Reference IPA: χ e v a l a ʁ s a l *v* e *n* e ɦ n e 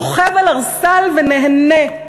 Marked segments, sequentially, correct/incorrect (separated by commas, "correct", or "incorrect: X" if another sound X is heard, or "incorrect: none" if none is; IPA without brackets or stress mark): correct, correct